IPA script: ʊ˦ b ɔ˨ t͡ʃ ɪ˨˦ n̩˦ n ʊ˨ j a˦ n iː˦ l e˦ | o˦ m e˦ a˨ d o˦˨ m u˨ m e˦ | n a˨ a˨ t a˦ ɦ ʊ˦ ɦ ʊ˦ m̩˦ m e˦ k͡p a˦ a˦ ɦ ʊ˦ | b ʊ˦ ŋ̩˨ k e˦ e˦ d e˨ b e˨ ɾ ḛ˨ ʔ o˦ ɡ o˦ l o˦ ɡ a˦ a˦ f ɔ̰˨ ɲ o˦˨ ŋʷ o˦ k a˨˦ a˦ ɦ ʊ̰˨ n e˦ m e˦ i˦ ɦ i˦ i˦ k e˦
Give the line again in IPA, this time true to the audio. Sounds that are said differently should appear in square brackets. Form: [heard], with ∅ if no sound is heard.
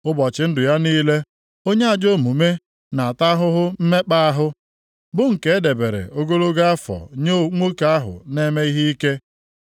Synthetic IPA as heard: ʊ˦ b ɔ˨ t͡ʃ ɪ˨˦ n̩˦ [d] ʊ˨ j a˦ n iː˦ l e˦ | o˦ [ɲ] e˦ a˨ [d͡ʒ] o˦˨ m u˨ m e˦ | n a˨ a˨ t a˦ ɦ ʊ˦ ɦ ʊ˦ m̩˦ m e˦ k͡p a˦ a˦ ɦ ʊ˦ | b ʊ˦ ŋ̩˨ k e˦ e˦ d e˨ b e˨ ɾ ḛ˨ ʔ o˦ ɡ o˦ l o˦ ɡ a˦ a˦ f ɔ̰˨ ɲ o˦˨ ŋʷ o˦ k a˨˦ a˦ ɦ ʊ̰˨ n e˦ m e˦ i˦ ɦ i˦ i˦ k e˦